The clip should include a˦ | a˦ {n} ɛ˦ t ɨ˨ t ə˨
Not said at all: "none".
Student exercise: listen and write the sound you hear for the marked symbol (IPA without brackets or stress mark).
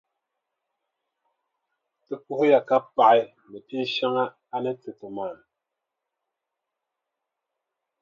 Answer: n